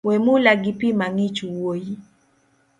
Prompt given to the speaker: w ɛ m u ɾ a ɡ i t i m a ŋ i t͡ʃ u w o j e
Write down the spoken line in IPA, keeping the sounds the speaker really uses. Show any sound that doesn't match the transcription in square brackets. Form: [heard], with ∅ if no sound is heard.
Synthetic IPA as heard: w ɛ m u [l] a ɡ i [p] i m a ŋ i t͡ʃ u w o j [i]